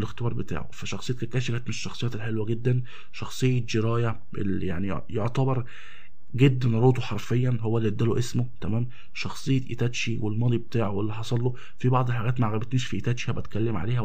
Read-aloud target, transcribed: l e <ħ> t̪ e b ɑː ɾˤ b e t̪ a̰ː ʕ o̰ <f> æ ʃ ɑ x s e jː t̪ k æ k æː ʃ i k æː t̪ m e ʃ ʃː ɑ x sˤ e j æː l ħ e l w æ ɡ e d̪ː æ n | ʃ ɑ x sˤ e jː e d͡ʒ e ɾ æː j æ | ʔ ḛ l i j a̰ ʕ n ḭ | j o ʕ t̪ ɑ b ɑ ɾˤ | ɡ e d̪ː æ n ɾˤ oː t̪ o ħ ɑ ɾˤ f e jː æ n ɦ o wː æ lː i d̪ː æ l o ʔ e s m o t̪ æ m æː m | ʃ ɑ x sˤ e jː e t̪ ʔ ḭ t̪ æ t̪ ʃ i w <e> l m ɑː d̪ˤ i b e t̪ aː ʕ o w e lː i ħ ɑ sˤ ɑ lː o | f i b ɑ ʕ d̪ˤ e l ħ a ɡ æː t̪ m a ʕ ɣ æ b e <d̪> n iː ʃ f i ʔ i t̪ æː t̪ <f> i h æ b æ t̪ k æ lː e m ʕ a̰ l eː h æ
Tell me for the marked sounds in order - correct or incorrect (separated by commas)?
incorrect, correct, correct, incorrect, incorrect